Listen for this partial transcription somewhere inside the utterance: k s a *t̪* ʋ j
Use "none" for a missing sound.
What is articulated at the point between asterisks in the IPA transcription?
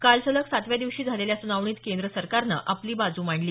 t̪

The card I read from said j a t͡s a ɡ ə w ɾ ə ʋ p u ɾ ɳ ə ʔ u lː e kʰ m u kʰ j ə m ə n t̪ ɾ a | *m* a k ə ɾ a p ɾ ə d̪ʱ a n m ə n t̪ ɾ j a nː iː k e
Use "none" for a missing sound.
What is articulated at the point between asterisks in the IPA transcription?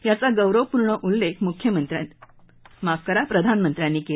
m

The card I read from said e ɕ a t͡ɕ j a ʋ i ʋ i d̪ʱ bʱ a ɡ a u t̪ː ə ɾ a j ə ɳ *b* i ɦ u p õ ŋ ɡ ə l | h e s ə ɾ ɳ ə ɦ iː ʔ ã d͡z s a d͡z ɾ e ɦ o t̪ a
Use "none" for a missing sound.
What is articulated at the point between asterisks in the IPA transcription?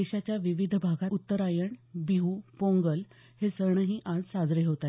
b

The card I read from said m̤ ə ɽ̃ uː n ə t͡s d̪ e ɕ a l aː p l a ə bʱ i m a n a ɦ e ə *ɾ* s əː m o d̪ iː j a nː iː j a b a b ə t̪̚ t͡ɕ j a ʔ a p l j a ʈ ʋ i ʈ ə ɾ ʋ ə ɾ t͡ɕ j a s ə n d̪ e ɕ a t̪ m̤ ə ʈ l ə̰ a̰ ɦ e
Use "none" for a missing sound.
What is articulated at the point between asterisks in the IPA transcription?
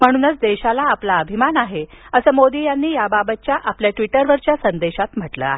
none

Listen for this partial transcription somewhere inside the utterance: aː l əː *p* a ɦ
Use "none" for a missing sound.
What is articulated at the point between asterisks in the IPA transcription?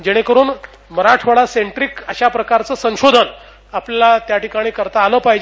p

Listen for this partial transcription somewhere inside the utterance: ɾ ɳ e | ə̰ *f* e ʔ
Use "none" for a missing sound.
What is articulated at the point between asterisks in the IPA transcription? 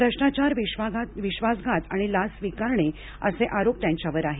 s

